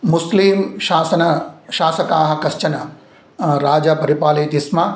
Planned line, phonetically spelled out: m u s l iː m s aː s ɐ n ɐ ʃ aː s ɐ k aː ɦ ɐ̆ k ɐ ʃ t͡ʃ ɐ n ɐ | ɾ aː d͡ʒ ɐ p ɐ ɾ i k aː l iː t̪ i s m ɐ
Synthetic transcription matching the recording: m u s l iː m ʃ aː s ɐ n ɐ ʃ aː s ɐ k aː ɦ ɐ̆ k ɐ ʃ t͡ʃ ɐ n ɐ | ɾ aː d͡ʒ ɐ p ɐ ɾ i p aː l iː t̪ i s m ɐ